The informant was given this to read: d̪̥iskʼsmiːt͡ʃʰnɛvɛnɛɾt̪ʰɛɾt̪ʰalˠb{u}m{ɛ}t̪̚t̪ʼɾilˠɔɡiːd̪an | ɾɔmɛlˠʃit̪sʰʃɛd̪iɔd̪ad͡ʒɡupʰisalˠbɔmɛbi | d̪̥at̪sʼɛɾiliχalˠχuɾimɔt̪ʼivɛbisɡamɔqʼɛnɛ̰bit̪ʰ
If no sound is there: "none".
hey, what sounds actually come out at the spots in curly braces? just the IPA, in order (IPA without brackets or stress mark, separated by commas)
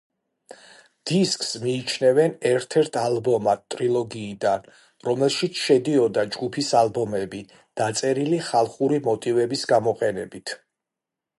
ɔ, a